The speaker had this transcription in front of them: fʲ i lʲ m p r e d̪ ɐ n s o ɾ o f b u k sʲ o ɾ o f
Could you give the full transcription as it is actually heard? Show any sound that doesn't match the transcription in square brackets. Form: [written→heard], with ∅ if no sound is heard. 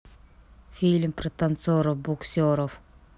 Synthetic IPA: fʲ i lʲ m p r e [d̪→t̪] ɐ n s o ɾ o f b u k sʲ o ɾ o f